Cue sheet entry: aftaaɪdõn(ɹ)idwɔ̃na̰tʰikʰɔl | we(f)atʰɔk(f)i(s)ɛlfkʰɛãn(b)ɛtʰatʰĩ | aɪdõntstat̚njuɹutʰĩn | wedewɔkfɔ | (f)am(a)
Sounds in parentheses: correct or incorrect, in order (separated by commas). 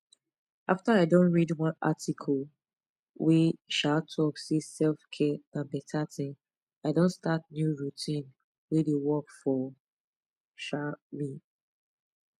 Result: correct, incorrect, incorrect, correct, correct, incorrect, incorrect